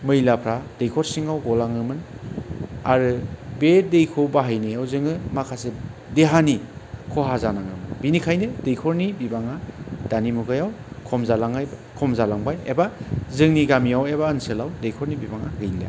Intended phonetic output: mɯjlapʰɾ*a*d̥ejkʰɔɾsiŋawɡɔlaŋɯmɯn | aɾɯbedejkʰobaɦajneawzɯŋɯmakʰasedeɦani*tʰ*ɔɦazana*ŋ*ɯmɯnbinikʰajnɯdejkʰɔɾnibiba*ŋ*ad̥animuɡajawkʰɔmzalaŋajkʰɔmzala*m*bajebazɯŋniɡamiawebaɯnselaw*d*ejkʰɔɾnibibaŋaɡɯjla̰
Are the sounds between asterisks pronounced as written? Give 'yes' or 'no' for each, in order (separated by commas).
yes, no, yes, yes, no, yes